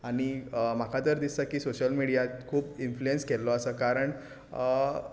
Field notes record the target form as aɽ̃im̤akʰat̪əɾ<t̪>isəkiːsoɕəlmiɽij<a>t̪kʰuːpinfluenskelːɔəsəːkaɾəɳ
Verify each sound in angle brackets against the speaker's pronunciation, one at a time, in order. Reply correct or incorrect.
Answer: incorrect: d̪, correct

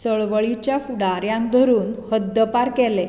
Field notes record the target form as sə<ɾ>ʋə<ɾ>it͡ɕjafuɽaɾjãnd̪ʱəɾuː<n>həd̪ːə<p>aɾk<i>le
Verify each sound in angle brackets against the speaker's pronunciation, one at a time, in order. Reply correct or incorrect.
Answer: incorrect: ɭ, incorrect: ɭ, correct, correct, incorrect: ɛ

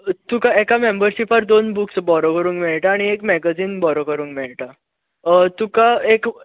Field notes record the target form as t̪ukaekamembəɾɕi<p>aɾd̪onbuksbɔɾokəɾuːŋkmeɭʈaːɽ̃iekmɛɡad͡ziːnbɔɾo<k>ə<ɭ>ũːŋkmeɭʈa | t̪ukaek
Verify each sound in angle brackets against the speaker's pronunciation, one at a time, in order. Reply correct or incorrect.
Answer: correct, correct, incorrect: ɾ

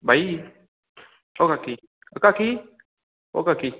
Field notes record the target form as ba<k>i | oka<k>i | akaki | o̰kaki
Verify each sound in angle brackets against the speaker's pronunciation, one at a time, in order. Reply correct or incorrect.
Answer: incorrect: none, correct

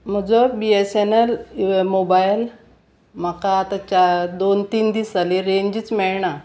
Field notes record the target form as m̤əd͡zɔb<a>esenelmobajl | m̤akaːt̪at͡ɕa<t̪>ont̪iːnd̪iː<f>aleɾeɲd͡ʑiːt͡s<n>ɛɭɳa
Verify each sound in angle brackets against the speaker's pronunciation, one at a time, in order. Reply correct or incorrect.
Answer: incorrect: i, incorrect: d̪, incorrect: s, incorrect: m

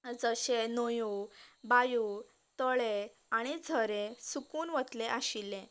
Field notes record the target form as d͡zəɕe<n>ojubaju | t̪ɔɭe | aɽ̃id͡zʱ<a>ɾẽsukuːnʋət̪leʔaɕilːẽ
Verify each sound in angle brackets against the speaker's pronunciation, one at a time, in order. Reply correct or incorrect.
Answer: correct, incorrect: ə

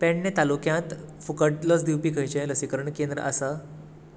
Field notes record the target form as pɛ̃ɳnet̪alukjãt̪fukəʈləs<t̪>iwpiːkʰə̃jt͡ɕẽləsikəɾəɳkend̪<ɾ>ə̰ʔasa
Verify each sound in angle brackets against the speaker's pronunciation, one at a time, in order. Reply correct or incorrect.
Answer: incorrect: d̪, correct

